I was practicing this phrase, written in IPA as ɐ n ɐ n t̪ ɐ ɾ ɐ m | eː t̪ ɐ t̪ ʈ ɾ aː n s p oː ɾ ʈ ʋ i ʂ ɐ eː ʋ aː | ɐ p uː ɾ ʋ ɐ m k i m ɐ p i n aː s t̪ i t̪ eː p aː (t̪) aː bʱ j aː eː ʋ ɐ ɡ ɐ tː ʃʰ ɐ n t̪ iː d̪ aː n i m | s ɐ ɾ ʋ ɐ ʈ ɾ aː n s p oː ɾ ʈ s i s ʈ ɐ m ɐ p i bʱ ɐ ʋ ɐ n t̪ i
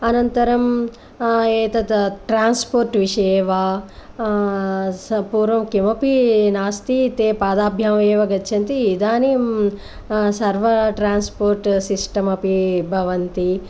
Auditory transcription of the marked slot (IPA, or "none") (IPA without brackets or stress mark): d̪